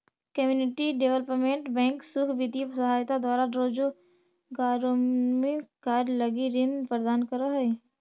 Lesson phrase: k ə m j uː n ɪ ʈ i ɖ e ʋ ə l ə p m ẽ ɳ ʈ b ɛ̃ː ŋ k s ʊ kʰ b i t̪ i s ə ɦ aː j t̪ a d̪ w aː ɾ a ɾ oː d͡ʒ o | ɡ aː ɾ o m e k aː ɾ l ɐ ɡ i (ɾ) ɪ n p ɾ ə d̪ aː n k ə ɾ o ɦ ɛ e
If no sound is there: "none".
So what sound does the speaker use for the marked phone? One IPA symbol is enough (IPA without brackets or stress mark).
ɾ